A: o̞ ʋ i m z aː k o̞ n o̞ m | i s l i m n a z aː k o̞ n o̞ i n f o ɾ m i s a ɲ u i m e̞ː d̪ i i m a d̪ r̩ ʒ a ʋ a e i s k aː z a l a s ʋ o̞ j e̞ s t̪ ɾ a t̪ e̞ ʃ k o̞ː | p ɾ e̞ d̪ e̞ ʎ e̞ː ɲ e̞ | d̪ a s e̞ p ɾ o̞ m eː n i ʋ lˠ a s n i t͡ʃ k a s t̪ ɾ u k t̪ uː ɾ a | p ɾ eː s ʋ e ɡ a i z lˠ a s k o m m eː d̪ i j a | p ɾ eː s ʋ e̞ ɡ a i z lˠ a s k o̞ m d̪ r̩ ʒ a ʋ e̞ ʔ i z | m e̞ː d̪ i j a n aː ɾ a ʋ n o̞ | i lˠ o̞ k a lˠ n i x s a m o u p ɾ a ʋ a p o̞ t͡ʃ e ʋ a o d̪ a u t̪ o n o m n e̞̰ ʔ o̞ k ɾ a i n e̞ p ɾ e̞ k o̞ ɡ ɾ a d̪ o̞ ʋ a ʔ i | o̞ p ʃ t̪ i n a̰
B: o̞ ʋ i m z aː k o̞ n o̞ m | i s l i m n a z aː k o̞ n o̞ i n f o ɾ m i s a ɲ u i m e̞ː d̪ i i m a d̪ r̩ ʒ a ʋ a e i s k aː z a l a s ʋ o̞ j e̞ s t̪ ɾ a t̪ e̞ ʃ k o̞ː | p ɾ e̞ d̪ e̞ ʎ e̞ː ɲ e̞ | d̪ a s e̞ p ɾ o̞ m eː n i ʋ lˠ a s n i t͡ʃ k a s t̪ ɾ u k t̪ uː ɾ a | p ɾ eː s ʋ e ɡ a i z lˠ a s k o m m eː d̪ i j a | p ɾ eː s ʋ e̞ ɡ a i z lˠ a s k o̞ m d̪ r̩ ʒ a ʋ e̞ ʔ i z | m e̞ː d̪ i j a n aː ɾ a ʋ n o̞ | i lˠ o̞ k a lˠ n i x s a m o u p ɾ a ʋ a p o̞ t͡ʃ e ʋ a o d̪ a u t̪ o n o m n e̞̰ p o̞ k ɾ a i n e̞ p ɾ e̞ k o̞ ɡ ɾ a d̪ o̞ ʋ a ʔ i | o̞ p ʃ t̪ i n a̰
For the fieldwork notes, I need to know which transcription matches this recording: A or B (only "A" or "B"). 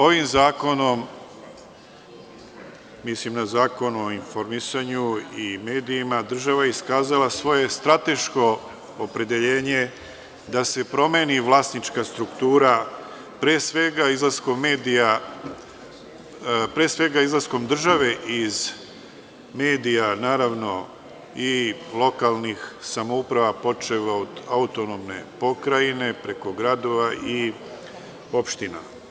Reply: B